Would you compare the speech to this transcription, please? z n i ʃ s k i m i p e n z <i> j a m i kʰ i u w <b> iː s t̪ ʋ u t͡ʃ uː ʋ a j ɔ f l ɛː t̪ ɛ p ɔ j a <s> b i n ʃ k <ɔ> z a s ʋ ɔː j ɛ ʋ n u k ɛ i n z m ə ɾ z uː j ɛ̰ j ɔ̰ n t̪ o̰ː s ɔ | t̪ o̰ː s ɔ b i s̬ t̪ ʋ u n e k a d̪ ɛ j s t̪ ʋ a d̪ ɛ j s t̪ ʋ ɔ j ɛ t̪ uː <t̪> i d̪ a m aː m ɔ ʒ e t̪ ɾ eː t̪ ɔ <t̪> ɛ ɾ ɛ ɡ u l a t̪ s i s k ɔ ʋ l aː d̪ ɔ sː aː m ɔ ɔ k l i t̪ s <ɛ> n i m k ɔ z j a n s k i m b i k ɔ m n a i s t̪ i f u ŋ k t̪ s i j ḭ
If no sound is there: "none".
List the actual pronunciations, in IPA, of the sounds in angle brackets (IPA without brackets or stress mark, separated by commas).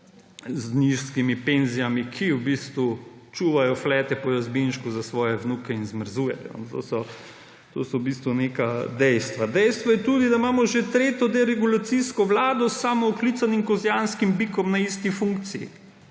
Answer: i, b, z, u, d̪, d̪, a